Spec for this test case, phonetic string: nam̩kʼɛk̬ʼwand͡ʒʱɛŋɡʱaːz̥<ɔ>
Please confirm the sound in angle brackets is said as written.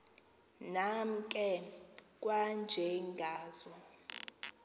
yes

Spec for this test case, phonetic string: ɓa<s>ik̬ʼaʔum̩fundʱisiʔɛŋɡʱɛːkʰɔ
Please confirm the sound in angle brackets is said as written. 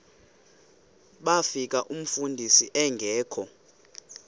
no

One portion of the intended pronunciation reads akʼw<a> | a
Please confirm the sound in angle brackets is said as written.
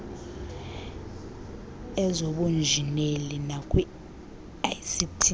no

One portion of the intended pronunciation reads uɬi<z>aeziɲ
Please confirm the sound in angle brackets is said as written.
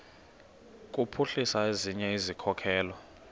no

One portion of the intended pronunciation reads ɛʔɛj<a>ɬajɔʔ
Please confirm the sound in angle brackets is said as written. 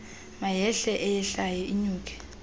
no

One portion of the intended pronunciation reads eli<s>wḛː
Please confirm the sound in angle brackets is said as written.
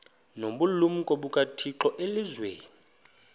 no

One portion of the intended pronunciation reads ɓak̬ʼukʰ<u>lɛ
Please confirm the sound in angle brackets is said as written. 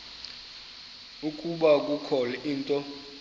no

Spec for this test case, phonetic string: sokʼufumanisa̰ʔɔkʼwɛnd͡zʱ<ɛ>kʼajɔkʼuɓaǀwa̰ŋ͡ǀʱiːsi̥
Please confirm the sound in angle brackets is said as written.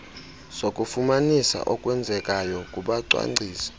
yes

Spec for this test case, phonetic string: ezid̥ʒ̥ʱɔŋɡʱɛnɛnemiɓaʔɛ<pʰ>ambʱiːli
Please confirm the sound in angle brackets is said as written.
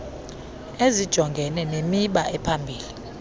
yes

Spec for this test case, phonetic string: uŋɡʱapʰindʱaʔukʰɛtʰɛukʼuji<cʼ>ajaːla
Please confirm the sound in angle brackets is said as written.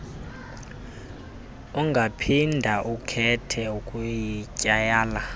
yes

